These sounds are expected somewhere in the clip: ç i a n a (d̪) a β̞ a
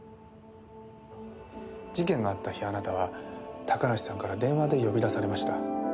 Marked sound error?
yes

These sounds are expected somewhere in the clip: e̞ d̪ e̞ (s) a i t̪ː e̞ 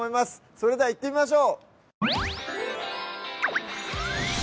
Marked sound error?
yes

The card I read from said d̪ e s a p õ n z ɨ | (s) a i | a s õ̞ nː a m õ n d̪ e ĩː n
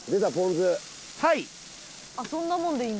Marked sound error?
yes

